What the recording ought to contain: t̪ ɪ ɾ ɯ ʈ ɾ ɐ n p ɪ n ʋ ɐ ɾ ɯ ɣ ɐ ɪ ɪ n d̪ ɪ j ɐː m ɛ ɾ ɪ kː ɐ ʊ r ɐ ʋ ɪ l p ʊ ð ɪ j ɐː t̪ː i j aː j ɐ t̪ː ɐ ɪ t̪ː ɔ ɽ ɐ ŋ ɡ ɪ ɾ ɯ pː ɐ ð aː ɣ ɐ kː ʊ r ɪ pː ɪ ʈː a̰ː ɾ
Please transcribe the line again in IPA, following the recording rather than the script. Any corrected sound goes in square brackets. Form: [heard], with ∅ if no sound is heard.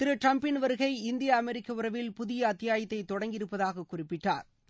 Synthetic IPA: t̪ ɪ ɾ ɯ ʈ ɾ ɐ [m] p ɪ n ʋ ɐ ɾ ɯ ɣ ɐ ɪ ɪ n d̪ ɪ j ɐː m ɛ ɾ ɪ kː ɐ ʊ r ɐ ʋ ɪ l p ʊ ð ɪ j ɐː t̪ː [ɪ] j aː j ɐ t̪ː ɐ ɪ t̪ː ɔ ɽ ɐ ŋ ɡ ɪ ɾ ɯ pː ɐ ð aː ɣ ɐ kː ʊ r ɪ pː ɪ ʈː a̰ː ɾ

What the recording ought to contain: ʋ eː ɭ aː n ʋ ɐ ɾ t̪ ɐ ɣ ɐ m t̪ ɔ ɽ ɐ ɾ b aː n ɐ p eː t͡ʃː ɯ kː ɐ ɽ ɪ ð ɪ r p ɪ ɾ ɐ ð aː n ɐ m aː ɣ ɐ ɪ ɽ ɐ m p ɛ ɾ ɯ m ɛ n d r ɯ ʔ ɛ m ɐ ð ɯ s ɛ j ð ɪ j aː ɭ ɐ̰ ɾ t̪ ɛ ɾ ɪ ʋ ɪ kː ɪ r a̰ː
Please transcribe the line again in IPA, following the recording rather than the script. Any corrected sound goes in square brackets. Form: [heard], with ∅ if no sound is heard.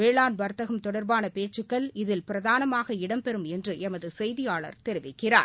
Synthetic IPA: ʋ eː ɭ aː n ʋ ɐ ɾ t̪ ɐ ɣ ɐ m t̪ ɔ ɽ ɐ ɾ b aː n ɐ p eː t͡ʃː ɯ kː ɐ [ɭ] ɪ ð ɪ [l] p ɪ ɾ ɐ ð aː n ɐ m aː ɣ ɐ ɪ ɽ ɐ m p ɛ ɾ ɯ m ɛ n d r ɯ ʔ ɛ m ɐ ð ɯ s ɛ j ð ɪ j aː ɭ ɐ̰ ɾ t̪ ɛ ɾ ɪ ʋ ɪ kː ɪ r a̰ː

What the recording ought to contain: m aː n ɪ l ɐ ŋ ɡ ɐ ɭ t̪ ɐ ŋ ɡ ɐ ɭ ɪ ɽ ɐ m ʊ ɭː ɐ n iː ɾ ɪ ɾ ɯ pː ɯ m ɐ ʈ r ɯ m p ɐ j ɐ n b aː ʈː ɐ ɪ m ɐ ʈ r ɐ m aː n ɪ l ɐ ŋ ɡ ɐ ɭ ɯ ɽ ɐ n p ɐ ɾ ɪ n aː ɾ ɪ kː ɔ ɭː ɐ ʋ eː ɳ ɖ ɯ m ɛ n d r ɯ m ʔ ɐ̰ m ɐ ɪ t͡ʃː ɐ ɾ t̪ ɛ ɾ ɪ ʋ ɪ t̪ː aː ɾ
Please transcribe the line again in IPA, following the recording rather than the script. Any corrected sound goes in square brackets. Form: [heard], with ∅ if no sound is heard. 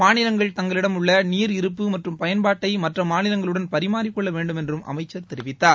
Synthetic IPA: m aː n ɪ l ɐ ŋ ɡ ɐ ɭ t̪ ɐ ŋ ɡ ɐ ɭ ɪ ɽ ɐ m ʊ ɭː ɐ n iː ɾ ɪ ɾ ɯ pː ɯ m ɐ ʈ r ɯ m p ɐ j ɐ n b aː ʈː ɐ ɪ m ɐ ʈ r ɐ m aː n ɪ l ɐ ŋ ɡ ɐ ɭ ɯ ɽ ɐ n p ɐ ɾ ɪ [m] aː ɾ ɪ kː ɔ ɭː ɐ ʋ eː ɳ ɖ ɯ m ɛ n d r ɯ m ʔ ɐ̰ m ɐ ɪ t͡ʃː ɐ ɾ t̪ ɛ ɾ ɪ ʋ ɪ t̪ː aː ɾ

